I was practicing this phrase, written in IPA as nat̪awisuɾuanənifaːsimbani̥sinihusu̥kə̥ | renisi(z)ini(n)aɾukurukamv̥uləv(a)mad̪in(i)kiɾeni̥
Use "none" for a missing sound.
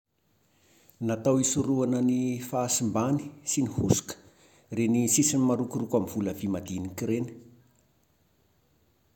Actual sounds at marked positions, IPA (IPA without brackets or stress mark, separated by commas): s, m, i, i